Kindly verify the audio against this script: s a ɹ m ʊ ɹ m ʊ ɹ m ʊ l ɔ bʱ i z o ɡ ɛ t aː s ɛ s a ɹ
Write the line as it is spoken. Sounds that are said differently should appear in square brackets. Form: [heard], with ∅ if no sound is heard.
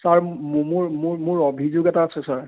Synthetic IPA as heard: s a ɹ m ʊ ɹ m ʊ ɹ m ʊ [ɹ] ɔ bʱ i z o ɡ ɛ t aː s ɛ s a ɹ